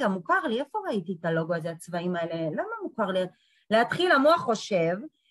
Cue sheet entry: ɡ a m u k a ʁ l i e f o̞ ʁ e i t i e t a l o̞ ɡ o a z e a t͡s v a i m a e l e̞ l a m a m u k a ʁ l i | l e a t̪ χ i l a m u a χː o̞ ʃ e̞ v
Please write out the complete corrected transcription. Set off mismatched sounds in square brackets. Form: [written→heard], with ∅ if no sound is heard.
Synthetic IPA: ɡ a m u k a ʁ l i e f o̞ ʁ [e→a] i t i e t a l o̞ ɡ o a z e a t͡s v a i m a e l e̞ l a m a m u k a ʁ l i | l e a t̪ χ i l a m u a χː o̞ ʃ e̞ v